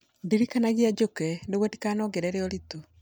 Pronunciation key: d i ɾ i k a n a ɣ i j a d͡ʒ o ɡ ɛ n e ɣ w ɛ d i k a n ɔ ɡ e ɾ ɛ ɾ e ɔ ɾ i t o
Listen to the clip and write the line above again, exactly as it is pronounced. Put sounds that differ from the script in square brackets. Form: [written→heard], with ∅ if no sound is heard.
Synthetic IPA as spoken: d i ɾ i k a n a ɣ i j a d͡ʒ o [ɡ→k] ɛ n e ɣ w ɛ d i k a n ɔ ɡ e ɾ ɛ ɾ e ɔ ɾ i t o